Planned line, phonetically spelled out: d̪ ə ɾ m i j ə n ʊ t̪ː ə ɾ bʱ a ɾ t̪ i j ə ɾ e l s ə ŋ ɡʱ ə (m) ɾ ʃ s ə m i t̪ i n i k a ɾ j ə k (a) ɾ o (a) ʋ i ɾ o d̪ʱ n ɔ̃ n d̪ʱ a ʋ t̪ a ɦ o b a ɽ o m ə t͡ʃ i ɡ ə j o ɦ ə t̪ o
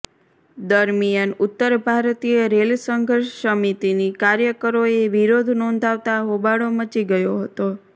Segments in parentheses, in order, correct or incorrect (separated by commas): incorrect, incorrect, incorrect